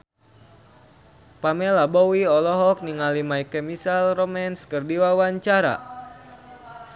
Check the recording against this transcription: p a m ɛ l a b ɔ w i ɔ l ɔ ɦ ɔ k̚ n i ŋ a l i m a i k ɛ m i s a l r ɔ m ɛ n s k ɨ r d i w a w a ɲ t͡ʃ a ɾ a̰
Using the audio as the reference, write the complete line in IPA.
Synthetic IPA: p a m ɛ l a b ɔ w i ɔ l ɔ ɦ ɔ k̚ n i ŋ a l i m a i k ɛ m i s a l r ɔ m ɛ n s k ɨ r d i w a w a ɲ t͡ʃ a ɾ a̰